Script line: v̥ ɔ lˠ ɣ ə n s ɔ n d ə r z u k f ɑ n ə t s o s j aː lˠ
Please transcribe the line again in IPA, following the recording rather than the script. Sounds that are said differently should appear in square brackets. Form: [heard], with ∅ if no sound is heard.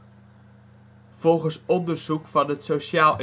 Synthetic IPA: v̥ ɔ lˠ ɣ ə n s ɔ n d ə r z u k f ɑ n ə t s o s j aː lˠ

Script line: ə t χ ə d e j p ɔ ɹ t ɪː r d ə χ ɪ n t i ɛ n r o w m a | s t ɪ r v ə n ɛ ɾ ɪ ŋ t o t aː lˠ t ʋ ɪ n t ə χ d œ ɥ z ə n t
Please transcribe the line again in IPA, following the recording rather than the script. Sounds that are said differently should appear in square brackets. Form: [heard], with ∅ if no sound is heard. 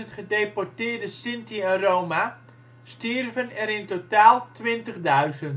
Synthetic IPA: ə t χ ə d e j p ɔ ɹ t ɪː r d ə [s] ɪ n t i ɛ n r o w m a | s t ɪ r v ə n ɛ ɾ ɪ [n] t o t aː lˠ t ʋ ɪ n t ə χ d œ ɥ z ə n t

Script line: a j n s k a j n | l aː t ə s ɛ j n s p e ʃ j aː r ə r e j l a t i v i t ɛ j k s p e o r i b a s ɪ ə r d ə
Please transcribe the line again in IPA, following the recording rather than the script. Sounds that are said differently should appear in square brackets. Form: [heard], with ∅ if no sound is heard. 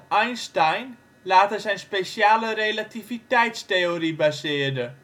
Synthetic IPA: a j n s [t] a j n | l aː t ə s ɛ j n s p e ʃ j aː [l] ə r e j l a t i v i t ɛ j [t] s [t] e o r i b a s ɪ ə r d ə

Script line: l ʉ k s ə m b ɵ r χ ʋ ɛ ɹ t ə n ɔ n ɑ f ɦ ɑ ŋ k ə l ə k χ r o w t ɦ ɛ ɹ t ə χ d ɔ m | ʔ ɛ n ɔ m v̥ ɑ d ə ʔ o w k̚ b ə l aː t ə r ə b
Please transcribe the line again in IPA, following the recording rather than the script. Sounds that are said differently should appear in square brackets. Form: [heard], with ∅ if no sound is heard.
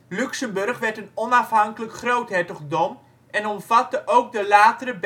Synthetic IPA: l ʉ k s ə m b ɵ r χ ʋ ɛ ɹ t ə n ɔ n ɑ f ɦ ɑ ŋ k ə l ə k χ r o w t ɦ ɛ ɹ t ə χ d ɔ m | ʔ ɛ n ɔ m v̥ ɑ [t] ə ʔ o w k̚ [d] ə l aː t ə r ə b

